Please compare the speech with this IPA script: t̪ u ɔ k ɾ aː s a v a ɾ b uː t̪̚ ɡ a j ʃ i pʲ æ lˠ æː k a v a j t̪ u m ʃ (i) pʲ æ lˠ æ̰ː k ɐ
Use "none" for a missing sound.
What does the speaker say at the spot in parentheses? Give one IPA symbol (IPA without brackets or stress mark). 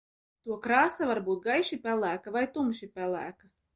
i